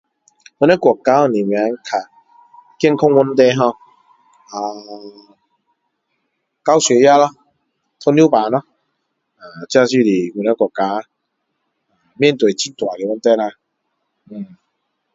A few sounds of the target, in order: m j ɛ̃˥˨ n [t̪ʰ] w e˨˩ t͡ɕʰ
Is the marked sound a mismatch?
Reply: yes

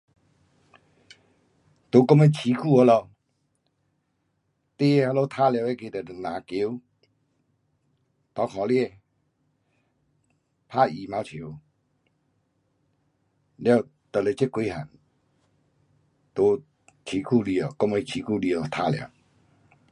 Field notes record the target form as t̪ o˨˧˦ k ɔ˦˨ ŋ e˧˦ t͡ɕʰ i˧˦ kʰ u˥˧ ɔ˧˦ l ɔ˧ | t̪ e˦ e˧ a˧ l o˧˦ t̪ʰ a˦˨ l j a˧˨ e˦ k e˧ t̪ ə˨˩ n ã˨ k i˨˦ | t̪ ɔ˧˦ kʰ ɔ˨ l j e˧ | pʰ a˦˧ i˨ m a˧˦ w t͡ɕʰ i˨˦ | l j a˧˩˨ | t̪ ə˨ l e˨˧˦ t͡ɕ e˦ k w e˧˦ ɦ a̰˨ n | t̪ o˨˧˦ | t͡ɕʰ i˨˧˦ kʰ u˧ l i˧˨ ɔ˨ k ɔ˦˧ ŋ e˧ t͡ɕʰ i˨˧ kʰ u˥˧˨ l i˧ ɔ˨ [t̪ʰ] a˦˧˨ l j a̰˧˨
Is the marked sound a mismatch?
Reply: no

